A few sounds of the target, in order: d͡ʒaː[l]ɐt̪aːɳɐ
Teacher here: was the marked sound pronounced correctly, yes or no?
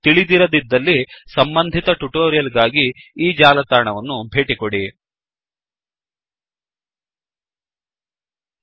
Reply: yes